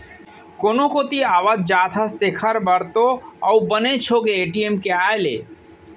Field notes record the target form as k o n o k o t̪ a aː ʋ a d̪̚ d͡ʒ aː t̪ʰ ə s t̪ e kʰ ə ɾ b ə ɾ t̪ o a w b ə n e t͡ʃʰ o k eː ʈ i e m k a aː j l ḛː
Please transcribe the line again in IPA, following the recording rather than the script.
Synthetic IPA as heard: k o n o k o t̪ i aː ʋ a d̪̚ d͡ʒ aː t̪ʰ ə s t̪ e kʰ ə ɾ b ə ɾ t̪ o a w b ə n e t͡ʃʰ o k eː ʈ i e m k e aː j l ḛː